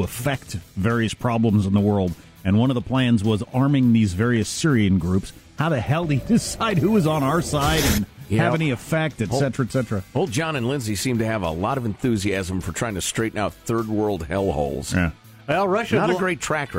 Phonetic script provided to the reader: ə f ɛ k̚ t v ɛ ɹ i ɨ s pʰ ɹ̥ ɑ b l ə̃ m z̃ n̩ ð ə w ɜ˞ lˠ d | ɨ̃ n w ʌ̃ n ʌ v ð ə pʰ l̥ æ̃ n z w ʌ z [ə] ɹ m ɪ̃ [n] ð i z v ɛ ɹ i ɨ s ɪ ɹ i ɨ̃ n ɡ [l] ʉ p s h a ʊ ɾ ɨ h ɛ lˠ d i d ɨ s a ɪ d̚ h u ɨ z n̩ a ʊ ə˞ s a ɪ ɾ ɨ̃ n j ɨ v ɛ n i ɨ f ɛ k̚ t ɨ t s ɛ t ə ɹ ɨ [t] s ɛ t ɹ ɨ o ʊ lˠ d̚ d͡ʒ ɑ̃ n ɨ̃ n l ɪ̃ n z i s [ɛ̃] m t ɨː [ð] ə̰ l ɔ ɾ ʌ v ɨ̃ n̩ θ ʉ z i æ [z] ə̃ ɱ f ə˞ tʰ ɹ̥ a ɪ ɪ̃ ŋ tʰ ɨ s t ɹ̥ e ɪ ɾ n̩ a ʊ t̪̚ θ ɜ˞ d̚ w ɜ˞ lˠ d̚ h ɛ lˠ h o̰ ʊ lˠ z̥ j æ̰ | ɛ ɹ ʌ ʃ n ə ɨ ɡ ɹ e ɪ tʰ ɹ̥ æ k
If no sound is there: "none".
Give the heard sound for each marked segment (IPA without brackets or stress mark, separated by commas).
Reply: ɑ, ŋ, ɹ, t, ĩ, v, z